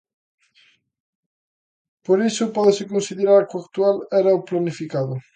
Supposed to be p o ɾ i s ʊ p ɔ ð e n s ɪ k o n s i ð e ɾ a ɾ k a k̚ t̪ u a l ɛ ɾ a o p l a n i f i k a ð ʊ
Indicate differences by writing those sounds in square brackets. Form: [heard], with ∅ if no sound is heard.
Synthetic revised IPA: p o ɾ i s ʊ p ɔ ð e [∅] s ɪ k o n s i ð e ɾ a ɾ k a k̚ t̪ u a l ɛ ɾ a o p l a n i f i k a ð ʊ